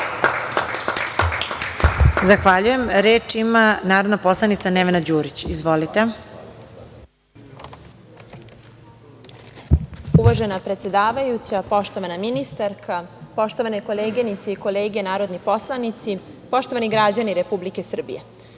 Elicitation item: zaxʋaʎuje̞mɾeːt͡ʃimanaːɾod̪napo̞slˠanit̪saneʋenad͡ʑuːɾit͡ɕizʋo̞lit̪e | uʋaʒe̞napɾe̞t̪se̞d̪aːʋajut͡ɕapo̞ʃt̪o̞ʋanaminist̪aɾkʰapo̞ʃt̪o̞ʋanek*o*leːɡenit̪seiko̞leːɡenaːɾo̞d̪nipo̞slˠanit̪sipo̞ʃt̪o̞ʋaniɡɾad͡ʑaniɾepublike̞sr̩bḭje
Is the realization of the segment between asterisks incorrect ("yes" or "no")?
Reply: no